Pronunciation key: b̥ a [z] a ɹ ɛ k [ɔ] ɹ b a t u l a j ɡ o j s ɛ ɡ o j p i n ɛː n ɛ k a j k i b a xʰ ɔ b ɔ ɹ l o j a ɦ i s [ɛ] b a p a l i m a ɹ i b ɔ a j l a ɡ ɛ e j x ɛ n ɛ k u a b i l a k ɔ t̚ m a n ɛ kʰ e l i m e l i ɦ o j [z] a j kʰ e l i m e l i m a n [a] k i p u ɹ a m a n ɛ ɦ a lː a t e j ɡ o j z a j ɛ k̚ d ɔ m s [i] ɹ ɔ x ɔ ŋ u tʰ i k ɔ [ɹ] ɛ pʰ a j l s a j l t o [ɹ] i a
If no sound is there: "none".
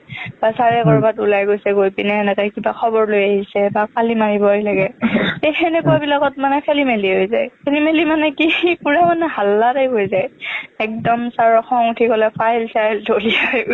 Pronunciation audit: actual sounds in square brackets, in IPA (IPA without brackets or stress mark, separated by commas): s, ɔ, ɛ, z, ɛ, a, l, l